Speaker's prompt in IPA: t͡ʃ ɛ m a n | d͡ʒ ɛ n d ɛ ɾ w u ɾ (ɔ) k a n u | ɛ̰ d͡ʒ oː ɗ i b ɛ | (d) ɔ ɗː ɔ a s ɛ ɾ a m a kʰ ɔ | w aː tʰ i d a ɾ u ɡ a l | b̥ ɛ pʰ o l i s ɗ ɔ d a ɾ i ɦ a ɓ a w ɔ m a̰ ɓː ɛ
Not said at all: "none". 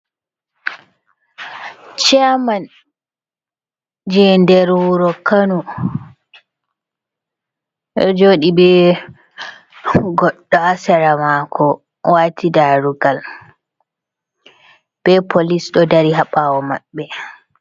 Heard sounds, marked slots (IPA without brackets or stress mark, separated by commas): ɔ, ɡ